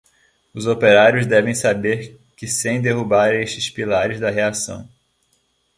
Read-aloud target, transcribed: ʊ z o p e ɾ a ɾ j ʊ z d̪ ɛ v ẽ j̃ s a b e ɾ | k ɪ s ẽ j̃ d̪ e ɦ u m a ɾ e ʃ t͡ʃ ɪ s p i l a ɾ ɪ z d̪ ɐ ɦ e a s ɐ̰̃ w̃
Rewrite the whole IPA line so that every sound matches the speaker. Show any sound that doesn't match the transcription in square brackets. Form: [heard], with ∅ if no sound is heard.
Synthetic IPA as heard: ʊ z o p e ɾ a ɾ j ʊ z d̪ ɛ v ẽ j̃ s a b e ɾ | k ɪ s ẽ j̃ d̪ e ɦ u [b] a ɾ e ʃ t͡ʃ ɪ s p i l a ɾ ɪ z d̪ ɐ ɦ e a s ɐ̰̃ w̃